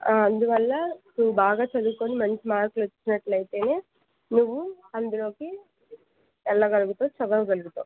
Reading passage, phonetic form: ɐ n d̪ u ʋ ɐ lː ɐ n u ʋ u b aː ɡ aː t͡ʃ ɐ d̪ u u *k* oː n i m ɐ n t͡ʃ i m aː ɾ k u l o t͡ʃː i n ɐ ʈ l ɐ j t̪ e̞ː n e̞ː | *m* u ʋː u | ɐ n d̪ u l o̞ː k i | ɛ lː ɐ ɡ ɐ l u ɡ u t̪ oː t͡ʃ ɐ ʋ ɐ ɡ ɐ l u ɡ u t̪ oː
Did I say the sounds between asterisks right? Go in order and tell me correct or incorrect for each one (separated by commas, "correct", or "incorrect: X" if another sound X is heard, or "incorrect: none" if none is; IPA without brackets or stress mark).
correct, incorrect: n